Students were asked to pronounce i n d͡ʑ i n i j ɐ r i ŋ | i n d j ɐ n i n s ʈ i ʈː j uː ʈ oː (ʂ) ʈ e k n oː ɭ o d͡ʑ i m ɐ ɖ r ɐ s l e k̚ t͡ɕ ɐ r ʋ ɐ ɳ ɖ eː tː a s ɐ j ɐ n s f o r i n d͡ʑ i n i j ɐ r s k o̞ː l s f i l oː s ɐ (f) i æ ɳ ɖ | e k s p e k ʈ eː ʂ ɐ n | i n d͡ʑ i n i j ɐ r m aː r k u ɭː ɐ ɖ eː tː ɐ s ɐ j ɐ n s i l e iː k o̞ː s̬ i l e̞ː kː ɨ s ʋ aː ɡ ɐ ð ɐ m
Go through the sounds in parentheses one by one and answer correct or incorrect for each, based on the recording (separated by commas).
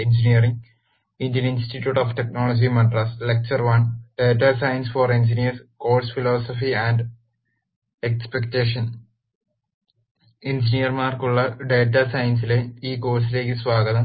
incorrect, correct